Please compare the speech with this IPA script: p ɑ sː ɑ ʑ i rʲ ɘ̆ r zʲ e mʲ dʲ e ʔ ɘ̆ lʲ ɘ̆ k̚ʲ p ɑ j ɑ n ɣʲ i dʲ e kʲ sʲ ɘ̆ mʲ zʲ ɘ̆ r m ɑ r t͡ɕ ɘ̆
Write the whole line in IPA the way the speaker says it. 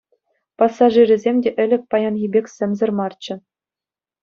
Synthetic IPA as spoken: p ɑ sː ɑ ʐ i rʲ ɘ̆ zʲ e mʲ dʲ e ʔ ɘ̆ lʲ ɘ̆ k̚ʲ p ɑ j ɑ n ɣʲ i bʲ e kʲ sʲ ɘ̆ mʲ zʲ ɘ̆ r m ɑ r t͡ɕ ɘ̆